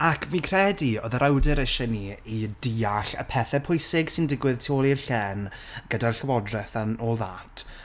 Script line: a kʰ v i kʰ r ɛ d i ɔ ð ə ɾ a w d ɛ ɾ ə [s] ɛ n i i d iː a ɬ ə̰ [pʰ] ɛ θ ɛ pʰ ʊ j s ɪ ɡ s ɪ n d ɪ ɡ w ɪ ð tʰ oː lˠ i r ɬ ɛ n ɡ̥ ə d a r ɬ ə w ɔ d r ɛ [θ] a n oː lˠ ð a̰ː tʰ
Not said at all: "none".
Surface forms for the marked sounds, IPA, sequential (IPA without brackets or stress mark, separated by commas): ʃ, pʰ, θ